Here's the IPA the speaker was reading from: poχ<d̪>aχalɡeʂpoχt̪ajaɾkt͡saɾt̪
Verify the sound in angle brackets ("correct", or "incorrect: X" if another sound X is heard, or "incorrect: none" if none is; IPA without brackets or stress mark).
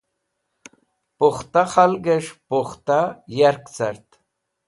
incorrect: t̪